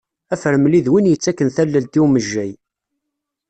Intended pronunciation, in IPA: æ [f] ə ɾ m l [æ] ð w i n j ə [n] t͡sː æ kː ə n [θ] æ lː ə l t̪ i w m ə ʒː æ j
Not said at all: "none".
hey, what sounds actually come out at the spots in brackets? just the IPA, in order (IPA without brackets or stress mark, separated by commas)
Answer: f, i, none, θ